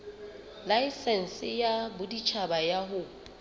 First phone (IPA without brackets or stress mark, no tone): l